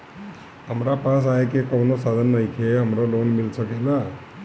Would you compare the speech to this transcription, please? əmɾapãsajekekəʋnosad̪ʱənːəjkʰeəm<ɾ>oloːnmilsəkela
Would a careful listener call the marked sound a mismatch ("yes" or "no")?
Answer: no